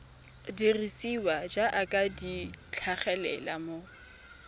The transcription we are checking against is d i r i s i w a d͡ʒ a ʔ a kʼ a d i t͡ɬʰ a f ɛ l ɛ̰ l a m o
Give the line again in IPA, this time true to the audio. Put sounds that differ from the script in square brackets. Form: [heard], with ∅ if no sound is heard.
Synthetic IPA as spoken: d i r i s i w a d͡ʒ a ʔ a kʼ a d i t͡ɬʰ a [χ] ɛ l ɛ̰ l a m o